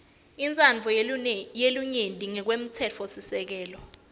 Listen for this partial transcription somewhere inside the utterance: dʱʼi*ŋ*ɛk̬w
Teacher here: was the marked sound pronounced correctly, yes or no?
yes